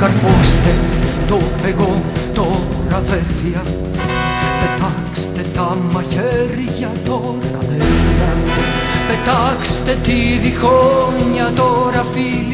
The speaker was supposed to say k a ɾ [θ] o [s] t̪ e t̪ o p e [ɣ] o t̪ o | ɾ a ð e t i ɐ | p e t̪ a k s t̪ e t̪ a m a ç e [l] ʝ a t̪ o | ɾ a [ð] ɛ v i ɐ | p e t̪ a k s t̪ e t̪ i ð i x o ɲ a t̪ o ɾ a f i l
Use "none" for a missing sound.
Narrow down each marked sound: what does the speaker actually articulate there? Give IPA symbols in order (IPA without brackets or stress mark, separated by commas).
f, s, ɣ, ɾ, ð